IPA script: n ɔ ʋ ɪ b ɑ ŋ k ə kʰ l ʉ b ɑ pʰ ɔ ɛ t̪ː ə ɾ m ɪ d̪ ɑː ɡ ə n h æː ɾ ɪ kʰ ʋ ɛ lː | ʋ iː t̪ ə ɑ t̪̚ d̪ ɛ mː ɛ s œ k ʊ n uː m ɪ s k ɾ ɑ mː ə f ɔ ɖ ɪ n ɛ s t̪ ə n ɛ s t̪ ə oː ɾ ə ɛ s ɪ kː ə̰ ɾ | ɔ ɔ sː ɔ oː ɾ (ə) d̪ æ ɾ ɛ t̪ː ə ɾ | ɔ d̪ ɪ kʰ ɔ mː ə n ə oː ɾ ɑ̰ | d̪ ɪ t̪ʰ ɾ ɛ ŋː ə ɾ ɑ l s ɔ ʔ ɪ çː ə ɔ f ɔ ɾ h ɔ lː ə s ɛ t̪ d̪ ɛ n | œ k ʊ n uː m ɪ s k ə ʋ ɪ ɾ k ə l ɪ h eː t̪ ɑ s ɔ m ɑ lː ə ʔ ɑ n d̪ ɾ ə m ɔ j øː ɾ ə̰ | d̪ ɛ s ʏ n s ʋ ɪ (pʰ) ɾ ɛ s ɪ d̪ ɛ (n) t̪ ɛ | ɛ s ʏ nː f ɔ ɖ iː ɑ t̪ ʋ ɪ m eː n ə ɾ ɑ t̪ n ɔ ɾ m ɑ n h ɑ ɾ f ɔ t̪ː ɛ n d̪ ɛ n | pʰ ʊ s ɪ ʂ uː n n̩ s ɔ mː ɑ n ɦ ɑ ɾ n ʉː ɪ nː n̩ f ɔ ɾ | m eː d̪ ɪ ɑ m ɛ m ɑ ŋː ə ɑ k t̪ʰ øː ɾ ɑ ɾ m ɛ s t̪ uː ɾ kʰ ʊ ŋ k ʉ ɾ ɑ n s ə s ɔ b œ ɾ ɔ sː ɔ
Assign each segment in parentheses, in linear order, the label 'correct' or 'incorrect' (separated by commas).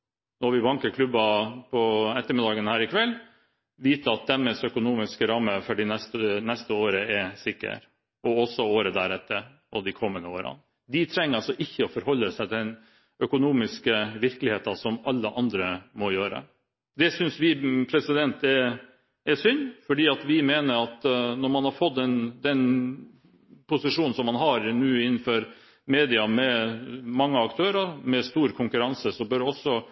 correct, correct, correct